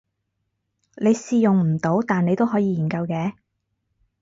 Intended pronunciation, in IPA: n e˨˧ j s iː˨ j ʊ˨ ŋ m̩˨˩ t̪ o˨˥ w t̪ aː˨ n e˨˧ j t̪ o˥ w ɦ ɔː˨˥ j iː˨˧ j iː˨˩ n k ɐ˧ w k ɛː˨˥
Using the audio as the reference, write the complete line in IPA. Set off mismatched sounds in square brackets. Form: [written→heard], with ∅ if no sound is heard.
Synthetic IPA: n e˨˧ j s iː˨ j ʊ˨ ŋ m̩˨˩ t̪ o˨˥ w t̪ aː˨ n e˨˧ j t̪ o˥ w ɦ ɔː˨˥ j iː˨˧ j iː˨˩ n k ɐ˧ w k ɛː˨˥